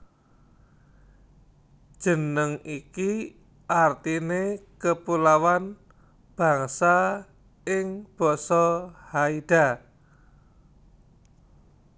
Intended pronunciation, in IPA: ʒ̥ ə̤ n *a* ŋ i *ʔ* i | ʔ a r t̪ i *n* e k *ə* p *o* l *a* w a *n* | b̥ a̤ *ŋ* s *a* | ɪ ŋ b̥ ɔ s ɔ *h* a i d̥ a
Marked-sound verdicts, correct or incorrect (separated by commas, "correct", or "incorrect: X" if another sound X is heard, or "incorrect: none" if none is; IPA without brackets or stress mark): incorrect: ə, incorrect: k, correct, correct, incorrect: u, correct, correct, correct, correct, correct